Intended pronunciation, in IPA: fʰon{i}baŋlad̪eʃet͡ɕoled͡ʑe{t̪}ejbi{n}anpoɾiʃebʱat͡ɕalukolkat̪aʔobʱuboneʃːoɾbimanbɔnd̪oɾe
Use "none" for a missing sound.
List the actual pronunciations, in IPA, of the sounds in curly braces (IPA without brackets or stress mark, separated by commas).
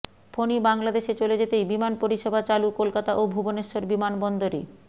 i, t̪, m